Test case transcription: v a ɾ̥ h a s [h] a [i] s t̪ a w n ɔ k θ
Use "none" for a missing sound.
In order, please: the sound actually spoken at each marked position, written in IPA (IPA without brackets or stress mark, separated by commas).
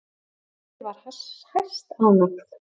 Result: h, j